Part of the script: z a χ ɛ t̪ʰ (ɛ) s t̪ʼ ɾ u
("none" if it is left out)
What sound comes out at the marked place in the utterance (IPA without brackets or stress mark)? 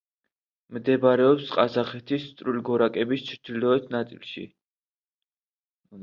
i